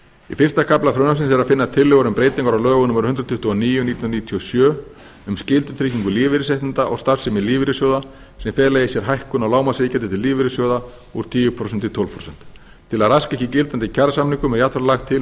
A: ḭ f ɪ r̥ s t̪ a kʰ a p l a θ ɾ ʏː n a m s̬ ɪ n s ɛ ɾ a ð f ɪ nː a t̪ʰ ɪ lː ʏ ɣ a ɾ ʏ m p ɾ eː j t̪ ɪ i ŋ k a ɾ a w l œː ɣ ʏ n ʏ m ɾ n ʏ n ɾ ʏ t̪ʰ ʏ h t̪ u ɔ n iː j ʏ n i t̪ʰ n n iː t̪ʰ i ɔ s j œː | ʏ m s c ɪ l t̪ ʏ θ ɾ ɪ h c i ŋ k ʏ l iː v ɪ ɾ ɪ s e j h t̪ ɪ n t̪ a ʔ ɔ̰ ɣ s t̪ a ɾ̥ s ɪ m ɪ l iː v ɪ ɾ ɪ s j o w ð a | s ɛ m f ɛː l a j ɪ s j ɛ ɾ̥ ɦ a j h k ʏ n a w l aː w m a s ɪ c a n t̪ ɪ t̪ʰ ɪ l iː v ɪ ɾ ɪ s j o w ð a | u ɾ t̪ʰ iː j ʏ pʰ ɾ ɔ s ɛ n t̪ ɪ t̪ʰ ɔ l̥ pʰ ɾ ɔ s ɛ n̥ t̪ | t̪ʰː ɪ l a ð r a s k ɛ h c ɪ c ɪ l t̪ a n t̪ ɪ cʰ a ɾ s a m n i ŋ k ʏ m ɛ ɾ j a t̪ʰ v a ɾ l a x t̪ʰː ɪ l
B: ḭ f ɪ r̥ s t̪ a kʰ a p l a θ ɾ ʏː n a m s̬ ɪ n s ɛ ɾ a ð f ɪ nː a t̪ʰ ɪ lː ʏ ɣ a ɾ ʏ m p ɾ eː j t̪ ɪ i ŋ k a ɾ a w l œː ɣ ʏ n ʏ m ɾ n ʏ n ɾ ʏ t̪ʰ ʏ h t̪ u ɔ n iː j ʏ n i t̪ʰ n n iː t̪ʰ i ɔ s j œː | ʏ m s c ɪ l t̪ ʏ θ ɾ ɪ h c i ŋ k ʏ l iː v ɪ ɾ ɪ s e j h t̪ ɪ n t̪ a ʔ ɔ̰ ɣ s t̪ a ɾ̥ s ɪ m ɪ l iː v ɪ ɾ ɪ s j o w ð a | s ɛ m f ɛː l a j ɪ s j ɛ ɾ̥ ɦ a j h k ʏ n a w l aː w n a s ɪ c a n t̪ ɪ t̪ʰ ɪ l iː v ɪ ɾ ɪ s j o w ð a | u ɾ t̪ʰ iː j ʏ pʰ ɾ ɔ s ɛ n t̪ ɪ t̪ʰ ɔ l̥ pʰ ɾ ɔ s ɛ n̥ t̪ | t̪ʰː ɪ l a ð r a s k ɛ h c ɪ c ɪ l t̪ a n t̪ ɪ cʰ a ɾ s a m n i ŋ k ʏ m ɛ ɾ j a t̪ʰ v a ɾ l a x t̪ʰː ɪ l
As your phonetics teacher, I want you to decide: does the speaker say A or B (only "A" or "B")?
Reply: A